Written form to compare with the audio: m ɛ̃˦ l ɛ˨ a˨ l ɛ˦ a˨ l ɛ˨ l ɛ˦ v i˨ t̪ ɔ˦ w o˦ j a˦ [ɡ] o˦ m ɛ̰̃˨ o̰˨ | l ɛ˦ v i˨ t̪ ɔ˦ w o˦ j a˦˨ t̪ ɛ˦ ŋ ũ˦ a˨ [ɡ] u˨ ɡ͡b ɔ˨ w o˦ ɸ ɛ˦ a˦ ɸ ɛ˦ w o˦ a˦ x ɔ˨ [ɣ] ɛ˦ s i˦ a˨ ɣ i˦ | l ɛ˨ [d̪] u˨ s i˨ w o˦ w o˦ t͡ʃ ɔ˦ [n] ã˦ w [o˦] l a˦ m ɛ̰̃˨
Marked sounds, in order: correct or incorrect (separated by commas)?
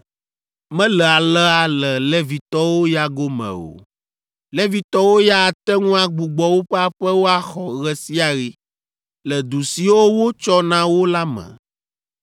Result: correct, incorrect, correct, correct, correct, correct